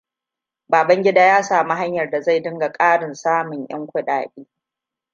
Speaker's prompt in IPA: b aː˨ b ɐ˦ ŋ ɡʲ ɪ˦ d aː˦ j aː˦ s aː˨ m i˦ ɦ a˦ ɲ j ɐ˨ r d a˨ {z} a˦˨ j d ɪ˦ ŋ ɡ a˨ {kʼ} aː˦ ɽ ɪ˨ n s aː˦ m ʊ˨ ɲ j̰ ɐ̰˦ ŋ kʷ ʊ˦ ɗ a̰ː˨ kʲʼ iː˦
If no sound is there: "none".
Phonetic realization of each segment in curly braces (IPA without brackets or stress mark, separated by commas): z, kʼ